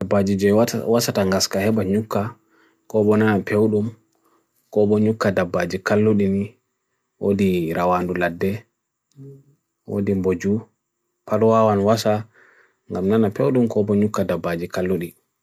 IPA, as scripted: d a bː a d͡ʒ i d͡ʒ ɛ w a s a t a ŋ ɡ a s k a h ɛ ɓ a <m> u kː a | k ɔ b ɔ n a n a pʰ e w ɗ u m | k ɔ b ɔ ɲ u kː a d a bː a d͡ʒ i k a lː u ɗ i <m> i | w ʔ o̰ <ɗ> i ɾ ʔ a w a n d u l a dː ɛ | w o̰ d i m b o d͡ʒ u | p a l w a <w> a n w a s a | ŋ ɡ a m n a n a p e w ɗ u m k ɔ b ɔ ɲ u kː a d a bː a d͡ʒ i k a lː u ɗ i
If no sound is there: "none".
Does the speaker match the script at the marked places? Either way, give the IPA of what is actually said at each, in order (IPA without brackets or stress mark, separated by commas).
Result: ɲ, n, d, w